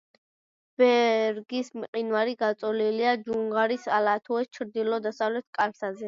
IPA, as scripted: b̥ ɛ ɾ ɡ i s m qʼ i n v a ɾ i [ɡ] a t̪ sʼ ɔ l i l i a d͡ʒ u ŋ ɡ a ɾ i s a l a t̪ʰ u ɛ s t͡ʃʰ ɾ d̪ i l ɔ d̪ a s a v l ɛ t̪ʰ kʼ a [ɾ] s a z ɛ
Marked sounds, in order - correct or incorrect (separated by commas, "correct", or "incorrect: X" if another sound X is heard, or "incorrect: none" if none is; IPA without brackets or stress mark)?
correct, incorrect: l